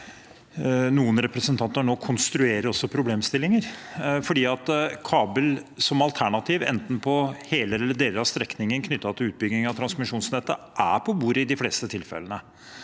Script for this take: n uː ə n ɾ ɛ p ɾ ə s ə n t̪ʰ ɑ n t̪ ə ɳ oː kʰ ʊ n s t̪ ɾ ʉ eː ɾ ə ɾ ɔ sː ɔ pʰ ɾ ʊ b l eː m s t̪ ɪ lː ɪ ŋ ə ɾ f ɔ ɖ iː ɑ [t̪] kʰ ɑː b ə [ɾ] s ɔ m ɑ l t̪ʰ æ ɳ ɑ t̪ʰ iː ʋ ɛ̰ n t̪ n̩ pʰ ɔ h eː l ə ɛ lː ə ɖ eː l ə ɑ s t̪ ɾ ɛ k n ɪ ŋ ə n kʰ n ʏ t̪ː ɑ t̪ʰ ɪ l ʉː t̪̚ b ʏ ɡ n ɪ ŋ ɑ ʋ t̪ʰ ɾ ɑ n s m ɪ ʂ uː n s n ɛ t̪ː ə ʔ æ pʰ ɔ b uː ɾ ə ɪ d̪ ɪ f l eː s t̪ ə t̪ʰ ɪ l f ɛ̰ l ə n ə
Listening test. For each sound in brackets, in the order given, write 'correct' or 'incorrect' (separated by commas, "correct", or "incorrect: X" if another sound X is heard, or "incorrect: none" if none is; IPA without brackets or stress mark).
correct, incorrect: l